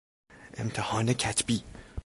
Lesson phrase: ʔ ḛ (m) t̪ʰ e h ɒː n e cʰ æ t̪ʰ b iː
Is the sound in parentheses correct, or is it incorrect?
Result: correct